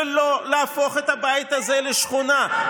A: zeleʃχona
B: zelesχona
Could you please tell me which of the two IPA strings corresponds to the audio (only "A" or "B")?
A